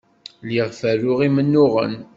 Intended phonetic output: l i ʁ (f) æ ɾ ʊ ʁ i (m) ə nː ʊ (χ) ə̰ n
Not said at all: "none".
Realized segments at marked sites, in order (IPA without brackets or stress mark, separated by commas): f, m, ʁ